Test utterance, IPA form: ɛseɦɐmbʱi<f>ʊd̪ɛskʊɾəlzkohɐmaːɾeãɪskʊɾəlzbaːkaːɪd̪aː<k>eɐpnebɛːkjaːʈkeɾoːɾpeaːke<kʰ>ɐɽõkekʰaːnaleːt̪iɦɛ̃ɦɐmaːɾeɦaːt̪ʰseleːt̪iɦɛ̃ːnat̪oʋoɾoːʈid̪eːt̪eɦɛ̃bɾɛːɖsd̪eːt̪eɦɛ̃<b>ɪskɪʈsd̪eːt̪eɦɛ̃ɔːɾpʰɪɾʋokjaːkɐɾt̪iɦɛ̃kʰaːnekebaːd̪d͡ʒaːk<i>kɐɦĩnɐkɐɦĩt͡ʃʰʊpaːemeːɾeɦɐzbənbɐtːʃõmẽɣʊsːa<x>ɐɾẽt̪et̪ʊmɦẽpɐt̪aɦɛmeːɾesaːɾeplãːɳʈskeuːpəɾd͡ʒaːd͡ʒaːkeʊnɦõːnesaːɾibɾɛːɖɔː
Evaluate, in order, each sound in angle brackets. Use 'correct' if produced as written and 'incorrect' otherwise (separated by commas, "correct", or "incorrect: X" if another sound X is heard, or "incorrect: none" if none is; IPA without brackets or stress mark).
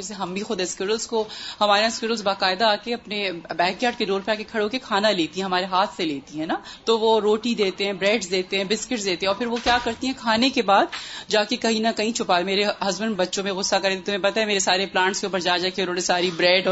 incorrect: x, correct, correct, correct, incorrect: e, incorrect: k